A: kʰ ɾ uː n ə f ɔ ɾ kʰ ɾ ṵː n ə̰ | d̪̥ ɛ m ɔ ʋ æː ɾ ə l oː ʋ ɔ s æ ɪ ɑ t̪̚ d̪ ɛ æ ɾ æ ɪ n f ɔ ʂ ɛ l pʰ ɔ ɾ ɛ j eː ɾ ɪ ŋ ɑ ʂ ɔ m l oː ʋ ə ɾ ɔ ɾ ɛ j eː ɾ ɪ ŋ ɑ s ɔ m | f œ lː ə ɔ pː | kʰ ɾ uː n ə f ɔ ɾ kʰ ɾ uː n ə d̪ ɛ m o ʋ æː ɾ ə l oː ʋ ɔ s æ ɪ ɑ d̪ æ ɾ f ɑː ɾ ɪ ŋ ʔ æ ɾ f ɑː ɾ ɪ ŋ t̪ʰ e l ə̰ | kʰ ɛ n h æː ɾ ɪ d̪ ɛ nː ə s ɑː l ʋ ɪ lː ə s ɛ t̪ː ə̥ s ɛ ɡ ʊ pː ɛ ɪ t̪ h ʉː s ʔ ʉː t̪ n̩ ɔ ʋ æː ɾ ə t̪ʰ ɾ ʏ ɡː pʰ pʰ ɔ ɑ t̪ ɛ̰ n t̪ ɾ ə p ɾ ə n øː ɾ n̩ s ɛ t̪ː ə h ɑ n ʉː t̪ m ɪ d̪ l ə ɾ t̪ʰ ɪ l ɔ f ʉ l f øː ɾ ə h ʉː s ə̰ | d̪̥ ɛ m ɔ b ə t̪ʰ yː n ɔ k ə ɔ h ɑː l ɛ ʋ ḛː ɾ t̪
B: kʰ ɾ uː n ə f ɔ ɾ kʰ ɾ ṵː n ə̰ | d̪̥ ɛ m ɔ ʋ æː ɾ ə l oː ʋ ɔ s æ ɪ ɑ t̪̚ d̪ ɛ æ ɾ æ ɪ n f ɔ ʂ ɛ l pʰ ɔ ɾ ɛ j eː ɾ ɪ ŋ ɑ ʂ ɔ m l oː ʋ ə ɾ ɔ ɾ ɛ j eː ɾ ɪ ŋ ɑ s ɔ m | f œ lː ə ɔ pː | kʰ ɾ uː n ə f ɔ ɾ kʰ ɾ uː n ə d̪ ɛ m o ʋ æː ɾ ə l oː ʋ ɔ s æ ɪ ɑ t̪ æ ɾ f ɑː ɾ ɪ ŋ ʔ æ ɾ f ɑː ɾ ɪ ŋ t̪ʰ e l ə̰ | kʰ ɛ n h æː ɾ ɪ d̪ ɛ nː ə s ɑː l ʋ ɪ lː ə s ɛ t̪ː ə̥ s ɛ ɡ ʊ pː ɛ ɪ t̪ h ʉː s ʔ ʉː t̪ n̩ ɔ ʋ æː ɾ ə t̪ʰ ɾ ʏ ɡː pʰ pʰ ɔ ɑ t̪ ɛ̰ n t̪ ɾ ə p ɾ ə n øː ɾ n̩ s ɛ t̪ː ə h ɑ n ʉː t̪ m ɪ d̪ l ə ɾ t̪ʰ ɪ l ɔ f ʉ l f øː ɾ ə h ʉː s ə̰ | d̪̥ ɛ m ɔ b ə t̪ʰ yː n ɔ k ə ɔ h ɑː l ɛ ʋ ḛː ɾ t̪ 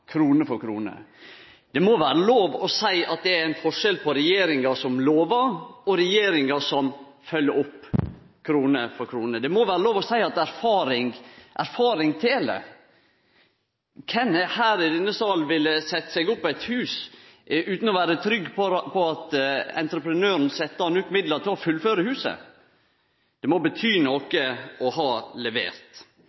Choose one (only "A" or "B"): B